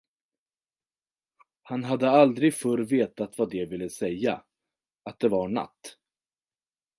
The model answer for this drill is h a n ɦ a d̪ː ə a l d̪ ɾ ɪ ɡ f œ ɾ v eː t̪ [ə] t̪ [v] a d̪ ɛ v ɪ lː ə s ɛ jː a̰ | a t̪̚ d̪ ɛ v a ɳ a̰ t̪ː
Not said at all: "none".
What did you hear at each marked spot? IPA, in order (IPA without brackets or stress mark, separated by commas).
a, v